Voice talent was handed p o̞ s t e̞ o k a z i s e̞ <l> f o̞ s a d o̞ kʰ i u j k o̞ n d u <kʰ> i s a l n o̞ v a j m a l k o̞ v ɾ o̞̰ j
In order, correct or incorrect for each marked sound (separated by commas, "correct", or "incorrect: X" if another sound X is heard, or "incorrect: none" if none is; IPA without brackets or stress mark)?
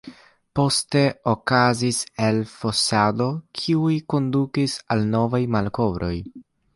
correct, incorrect: k